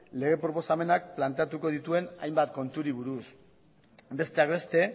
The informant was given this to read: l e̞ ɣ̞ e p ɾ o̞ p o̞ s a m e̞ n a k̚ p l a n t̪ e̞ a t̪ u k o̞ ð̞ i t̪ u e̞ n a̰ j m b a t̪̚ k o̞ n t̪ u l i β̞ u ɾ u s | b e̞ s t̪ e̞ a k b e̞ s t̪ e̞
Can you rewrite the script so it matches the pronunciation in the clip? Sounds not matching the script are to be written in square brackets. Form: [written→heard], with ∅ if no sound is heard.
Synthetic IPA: l e̞ ɣ̞ e p ɾ o̞ p o̞ s a m e̞ n a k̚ p l a n t̪ e̞ a t̪ u k o̞ ð̞ i t̪ u e̞ n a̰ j m b a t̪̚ k o̞ n t̪ u [l→ɾ] i β̞ u ɾ u s | b e̞ s t̪ e̞ a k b e̞ s t̪ e̞